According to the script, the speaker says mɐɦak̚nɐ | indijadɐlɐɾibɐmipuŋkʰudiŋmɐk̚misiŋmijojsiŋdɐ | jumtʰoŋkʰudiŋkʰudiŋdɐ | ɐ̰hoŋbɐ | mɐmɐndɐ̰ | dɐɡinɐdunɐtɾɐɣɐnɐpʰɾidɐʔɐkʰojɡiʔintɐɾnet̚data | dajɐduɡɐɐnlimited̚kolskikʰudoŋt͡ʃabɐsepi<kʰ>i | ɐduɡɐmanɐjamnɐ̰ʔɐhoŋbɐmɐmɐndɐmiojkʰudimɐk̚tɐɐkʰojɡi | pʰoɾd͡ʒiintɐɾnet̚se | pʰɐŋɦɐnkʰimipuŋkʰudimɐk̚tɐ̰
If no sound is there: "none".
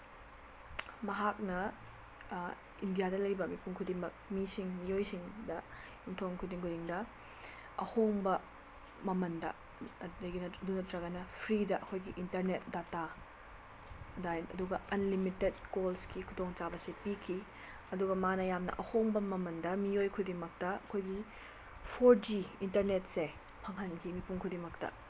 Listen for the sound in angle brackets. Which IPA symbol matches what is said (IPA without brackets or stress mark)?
kʰ